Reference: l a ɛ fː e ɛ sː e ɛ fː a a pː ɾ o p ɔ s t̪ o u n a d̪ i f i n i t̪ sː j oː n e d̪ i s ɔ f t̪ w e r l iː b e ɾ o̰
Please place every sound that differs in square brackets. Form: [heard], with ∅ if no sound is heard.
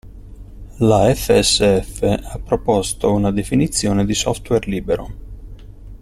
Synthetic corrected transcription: l a ɛ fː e ɛ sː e ɛ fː [e] a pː ɾ o p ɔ s t̪ o u n a d̪ [e] f i n i t̪ sː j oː n e d̪ i s ɔ f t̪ w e r l iː b e ɾ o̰

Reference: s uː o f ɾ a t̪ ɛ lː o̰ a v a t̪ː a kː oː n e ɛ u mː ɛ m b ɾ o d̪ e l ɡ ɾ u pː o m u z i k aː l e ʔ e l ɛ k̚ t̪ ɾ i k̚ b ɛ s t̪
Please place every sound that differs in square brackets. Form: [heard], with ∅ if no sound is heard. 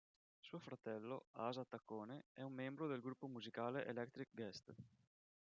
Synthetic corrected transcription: s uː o f ɾ a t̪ ɛ lː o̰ a [z] a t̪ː a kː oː n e ɛ u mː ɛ m b ɾ o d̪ e l ɡ ɾ u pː o m u z i k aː l e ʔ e l ɛ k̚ t̪ ɾ i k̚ [ɡ] ɛ s t̪

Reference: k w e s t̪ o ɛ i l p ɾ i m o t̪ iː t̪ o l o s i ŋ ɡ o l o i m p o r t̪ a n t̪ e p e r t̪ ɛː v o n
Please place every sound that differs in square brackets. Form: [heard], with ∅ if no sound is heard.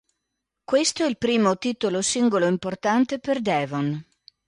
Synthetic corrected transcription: k w e s t̪ o ɛ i l p ɾ [iː] m o t̪ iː t̪ o l o s i ŋ ɡ o l o i m p o r t̪ a n t̪ e p e r [d̪] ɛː v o n

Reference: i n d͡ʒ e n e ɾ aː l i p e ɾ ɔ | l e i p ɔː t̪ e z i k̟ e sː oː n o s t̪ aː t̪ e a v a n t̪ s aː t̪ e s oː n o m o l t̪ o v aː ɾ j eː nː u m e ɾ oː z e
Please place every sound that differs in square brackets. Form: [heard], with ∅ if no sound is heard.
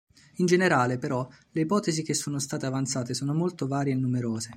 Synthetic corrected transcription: i n d͡ʒ e n e ɾ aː l [e] p e ɾ ɔ | l e i p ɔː t̪ e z i k̟ e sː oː n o s t̪ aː t̪ e a v a n t̪ s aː t̪ e s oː n o m o l t̪ o v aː ɾ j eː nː u m e ɾ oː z e

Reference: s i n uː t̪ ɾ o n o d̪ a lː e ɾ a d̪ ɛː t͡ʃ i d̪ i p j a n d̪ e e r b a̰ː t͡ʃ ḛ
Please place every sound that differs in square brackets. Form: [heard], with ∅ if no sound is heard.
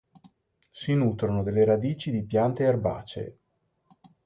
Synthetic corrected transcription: s i n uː t̪ ɾ o n o d̪ [e] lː e ɾ a d̪ [iː] t͡ʃ i d̪ i p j a n [t̪] e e r b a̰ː t͡ʃ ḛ

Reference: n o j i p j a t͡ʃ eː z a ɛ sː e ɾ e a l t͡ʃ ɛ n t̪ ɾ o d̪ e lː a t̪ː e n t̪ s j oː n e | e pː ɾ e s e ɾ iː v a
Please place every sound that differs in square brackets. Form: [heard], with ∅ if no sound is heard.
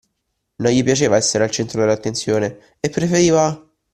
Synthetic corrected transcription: n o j i p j a t͡ʃ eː [v] a ɛ sː e ɾ e a l t͡ʃ ɛ n t̪ ɾ o d̪ e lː a t̪ː e n t̪ s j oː n e | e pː ɾ e [f] e ɾ iː v a

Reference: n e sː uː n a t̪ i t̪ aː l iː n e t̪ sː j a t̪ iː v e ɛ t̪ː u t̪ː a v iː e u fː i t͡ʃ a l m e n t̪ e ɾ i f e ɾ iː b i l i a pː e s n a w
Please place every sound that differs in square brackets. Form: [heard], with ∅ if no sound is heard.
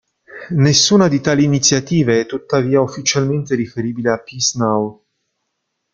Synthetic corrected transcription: n e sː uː n a [d̪] i t̪ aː l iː n [i] t̪ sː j a t̪ iː v e ɛ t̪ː u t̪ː a v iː [a] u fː i t͡ʃ a l m e n t̪ e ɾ i f e ɾ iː b i l [e] a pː [i] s n a w

